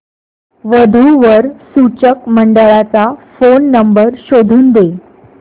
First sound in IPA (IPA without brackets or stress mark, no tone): ʋ